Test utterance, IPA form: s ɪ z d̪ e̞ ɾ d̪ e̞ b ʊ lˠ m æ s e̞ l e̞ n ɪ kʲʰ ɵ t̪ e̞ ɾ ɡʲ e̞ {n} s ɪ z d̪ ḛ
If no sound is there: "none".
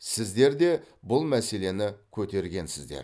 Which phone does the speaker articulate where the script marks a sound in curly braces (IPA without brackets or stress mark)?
n